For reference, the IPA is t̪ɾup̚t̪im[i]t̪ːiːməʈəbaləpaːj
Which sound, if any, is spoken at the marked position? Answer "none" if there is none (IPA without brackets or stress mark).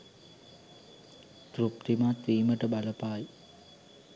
a